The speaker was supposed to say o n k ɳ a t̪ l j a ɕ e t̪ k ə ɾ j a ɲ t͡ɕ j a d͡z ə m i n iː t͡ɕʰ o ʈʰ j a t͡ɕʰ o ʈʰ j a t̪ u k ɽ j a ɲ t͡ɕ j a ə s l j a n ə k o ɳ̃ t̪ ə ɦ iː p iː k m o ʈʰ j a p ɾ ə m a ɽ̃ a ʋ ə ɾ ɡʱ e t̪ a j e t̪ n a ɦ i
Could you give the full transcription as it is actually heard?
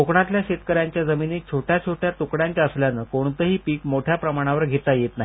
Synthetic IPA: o k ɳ a t̪ l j a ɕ e t̪ k ə ɾ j a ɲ t͡ɕ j a d͡z ə m i n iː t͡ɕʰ o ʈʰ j a t͡ɕʰ o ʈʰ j a t̪ u k ɽ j a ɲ t͡ɕ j a ə s l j a n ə k o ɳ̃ t̪ ə ɦ iː p iː k m o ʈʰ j a p ɾ ə m a ɽ̃ a ʋ ə ɾ ɡʱ e t̪ a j e t̪ n a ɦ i